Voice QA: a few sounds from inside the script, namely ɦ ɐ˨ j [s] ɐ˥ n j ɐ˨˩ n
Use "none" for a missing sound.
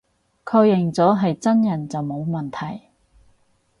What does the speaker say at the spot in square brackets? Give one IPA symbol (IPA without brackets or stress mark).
t͡s